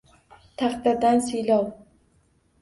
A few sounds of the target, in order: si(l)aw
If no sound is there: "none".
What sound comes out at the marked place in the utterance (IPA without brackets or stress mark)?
l